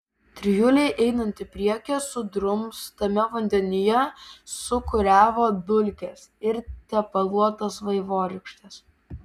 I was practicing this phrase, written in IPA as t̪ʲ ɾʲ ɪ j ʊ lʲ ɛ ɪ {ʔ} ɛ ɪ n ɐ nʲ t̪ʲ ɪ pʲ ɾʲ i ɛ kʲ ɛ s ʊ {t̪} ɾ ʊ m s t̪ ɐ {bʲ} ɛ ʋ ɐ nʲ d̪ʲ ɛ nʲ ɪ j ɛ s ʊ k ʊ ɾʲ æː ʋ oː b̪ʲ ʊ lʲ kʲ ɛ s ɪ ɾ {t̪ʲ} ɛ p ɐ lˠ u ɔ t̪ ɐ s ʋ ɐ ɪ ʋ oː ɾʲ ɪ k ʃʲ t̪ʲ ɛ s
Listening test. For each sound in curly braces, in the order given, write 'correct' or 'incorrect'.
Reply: correct, incorrect: d̪, incorrect: mʲ, correct

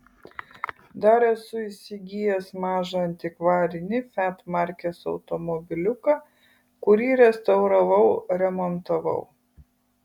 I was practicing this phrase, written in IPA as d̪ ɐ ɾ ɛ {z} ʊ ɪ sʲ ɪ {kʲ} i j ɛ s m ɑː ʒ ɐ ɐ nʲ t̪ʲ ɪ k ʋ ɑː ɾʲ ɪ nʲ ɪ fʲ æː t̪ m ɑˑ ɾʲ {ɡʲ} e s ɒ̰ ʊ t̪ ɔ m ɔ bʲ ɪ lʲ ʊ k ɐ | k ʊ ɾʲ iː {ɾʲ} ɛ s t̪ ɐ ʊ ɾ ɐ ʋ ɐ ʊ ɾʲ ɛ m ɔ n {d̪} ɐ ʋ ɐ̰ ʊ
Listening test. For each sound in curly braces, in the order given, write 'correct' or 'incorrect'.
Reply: incorrect: s, incorrect: ɡʲ, incorrect: kʲ, correct, incorrect: t̪

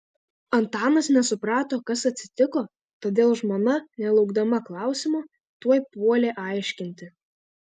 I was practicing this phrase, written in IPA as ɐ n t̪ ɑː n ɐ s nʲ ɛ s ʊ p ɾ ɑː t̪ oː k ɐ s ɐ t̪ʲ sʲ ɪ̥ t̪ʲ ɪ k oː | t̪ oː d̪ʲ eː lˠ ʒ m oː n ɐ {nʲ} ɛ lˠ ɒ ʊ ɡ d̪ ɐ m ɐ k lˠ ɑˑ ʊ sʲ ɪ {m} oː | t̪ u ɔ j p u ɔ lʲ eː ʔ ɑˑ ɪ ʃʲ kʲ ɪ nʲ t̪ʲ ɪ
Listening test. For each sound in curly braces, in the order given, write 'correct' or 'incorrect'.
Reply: correct, correct

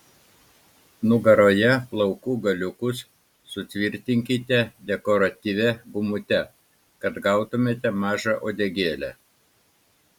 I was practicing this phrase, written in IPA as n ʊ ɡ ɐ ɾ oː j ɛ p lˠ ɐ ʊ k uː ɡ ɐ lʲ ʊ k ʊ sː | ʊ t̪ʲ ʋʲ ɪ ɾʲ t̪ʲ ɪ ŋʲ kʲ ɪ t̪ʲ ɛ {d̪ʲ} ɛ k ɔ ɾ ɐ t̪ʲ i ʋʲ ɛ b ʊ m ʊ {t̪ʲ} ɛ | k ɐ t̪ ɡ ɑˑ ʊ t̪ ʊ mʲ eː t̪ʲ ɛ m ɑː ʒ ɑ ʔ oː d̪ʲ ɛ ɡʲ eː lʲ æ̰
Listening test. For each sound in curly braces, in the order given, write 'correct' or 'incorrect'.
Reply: correct, correct

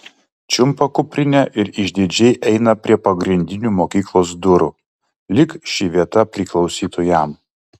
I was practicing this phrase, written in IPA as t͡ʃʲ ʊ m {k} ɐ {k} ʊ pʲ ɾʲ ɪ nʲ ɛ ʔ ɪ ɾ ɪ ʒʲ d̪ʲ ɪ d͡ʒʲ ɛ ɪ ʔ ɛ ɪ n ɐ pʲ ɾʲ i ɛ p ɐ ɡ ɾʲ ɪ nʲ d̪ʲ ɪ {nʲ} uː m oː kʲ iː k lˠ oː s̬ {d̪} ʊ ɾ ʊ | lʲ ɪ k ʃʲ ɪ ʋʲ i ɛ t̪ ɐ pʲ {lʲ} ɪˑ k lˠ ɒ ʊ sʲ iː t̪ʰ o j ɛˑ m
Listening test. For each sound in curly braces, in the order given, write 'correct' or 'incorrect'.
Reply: incorrect: p, correct, correct, correct, incorrect: ɾʲ

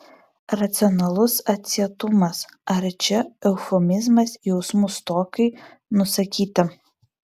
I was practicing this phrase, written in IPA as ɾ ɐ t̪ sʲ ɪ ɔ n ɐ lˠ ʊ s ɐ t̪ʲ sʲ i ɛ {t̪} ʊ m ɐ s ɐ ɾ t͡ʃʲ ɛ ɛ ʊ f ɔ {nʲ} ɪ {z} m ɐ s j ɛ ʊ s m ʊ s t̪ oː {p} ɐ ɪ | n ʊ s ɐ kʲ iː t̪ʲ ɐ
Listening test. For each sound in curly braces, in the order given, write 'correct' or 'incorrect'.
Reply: correct, incorrect: mʲ, correct, incorrect: k

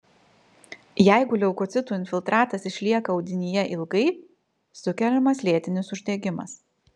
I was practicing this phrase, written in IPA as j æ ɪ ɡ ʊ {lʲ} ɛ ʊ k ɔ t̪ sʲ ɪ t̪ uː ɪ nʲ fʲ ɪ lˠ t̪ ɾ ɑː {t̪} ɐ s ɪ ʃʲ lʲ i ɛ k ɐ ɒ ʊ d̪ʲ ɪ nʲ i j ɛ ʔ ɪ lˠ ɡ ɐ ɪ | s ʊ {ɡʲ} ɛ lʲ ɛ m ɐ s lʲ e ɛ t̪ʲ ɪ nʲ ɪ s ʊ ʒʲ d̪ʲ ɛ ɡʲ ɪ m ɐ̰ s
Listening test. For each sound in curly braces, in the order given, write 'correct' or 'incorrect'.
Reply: correct, correct, incorrect: kʲ

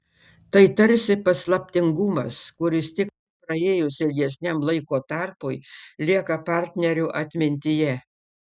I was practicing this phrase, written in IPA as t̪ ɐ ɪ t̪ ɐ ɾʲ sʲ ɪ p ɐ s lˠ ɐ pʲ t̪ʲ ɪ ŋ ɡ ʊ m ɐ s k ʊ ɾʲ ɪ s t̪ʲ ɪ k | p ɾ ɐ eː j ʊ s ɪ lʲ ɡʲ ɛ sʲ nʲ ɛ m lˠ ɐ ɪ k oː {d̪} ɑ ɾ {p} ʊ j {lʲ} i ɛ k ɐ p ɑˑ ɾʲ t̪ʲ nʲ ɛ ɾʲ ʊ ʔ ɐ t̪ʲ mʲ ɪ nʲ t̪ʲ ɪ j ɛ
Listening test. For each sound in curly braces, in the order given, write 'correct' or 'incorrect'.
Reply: incorrect: t̪, correct, correct

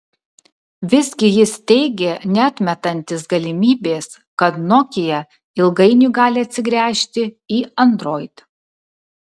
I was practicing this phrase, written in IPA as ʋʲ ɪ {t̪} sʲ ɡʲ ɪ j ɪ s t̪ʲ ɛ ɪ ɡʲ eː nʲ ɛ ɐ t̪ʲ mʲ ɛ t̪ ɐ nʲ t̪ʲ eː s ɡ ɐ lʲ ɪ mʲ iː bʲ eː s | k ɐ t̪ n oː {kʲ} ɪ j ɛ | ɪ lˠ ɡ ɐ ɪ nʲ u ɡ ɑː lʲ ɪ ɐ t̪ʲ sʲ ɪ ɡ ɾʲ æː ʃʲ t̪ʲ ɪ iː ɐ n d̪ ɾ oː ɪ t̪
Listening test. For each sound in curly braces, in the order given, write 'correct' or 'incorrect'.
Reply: incorrect: none, correct

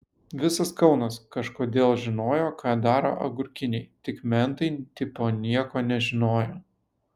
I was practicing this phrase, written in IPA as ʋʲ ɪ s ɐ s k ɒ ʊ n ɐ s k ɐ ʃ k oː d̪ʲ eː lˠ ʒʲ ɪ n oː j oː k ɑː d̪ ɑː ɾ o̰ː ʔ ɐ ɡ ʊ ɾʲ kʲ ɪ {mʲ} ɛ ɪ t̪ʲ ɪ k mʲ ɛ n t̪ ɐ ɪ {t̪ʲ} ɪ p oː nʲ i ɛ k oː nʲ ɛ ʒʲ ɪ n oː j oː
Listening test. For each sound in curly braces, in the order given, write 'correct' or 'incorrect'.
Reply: incorrect: nʲ, correct

